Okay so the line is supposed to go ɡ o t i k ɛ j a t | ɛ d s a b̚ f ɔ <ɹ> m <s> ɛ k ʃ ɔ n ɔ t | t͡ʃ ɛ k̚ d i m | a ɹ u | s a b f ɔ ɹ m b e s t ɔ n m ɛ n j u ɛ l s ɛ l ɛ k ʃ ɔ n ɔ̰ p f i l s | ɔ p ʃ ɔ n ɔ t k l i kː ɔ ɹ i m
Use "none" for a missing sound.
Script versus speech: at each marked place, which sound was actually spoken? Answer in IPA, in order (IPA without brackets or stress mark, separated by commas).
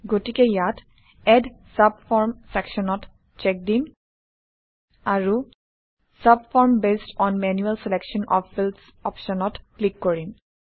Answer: ɹ, s